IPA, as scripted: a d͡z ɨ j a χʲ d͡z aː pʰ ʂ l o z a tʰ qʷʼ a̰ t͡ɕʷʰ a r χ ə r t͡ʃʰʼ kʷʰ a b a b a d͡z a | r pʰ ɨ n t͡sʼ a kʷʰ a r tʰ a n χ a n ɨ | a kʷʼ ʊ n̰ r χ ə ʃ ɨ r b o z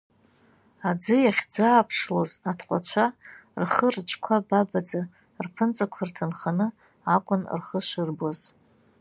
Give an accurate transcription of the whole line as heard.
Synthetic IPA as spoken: a d͡z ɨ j a χʲ d͡z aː pʰ ʂ l o z a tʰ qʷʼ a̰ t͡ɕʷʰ a r χ ə r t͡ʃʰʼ kʷʰ a b a b a d͡z a | r pʰ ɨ n t͡sʼ a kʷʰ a r tʰ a n χ a n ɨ | a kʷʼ ʊ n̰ r χ ə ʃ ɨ r b o z